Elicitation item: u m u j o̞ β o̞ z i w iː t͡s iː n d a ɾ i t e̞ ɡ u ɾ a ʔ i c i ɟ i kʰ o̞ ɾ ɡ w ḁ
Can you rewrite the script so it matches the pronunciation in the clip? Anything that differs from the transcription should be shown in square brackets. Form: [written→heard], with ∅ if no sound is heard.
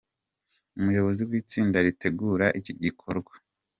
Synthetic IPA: u m u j o̞ β o̞ z i w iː t͡s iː n d a ɾ i t e̞ ɡ u ɾ a ʔ i c i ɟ i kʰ o̞ ɾ ɡ w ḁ